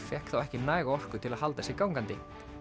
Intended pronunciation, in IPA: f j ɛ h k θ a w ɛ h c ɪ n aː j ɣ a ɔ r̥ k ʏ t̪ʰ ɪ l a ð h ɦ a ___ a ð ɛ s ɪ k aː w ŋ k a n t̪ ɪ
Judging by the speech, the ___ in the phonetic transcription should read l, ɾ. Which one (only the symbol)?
l